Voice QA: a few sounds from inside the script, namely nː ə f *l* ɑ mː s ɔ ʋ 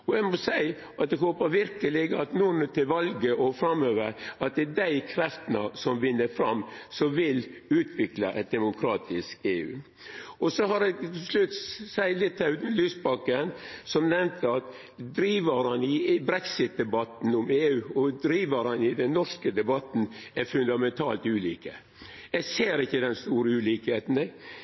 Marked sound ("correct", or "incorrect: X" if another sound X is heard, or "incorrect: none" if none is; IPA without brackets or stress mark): incorrect: ɾ